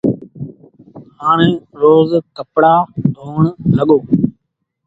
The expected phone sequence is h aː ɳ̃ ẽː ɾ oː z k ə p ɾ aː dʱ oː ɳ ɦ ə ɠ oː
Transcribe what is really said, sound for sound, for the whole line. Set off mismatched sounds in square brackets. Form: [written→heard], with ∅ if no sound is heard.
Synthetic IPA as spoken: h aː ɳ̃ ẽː ɾ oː z k ə p [ɾ→ɽ] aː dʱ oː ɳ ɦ ə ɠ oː